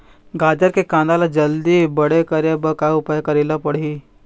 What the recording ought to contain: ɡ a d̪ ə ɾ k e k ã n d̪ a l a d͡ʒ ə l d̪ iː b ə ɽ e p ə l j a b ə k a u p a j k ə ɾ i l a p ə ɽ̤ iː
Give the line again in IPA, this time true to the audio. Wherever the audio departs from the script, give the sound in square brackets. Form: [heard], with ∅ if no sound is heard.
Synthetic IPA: ɡ a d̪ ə ɾ k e k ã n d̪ a l a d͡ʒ ə l d̪ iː b ə ɽ e [k] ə [ɾ] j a b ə k a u p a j k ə ɾ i l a p ə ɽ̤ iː